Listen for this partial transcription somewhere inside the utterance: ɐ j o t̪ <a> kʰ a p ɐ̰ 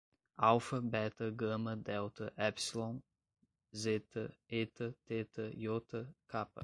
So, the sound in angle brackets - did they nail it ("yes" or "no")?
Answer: no